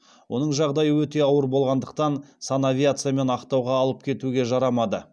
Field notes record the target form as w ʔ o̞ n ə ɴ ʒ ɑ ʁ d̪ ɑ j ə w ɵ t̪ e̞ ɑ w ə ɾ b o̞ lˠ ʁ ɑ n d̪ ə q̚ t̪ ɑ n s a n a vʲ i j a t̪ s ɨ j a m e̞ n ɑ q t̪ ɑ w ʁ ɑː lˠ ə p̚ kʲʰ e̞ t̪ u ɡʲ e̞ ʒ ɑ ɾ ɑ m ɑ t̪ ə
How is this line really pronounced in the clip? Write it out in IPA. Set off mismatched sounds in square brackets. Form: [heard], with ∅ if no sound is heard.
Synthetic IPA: w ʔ o̞ n ə ɴ ʒ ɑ ʁ d̪ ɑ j ə w ɵ t̪ e̞ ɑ w ə ɾ b o̞ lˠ ʁ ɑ n d̪ ə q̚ t̪ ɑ n s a n a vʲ i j a t̪ s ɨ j a m e̞ n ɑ q t̪ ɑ w ʁ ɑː lˠ ə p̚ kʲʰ e̞ t̪ u ɡʲ e̞ ʒ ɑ ɾ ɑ m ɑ [d̪] ə